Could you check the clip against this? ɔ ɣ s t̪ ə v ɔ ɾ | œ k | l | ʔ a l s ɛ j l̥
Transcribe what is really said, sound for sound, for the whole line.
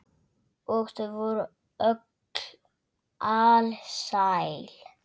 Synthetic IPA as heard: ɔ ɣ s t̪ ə v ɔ ɾ | œ k | l | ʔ a l s a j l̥